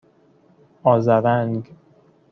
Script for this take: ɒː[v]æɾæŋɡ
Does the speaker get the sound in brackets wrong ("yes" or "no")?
yes